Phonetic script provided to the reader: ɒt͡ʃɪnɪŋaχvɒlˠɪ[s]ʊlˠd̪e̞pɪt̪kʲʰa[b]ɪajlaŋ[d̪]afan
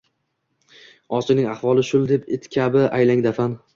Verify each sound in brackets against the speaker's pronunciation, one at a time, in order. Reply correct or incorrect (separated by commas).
incorrect, correct, correct